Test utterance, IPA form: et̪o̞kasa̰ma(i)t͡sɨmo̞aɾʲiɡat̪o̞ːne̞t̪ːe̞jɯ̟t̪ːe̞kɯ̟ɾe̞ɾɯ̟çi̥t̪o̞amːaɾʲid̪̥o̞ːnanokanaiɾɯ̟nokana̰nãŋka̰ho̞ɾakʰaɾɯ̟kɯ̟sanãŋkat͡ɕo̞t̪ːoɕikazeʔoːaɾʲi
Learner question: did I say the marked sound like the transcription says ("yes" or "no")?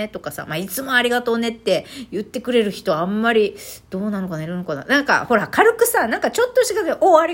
yes